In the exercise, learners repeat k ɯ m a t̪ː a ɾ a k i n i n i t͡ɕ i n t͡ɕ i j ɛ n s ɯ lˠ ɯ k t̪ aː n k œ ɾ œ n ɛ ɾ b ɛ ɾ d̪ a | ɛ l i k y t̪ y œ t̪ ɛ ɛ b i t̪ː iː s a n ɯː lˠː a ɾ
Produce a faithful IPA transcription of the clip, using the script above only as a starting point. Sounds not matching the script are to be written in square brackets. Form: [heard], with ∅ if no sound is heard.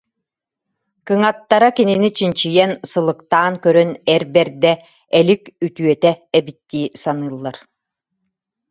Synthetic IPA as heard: k ɯ [ŋ] a t̪ː a ɾ a k i n i n i t͡ɕ i n t͡ɕ i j ɛ n s ɯ lˠ ɯ k t̪ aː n k œ ɾ œ n ɛ ɾ b ɛ ɾ d̪ [ɛ] | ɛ l i k y t̪ y œ t̪ ɛ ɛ b i t̪ː iː s a n ɯː lˠː a ɾ